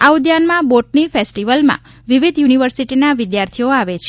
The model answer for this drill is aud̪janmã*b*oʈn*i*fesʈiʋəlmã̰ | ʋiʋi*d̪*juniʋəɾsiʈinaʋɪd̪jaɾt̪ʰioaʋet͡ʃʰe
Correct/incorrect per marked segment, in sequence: correct, correct, correct

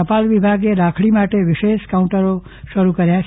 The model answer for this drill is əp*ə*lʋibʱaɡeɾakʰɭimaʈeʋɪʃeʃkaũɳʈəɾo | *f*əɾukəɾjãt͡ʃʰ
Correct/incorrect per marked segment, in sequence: incorrect: a, incorrect: ʃ

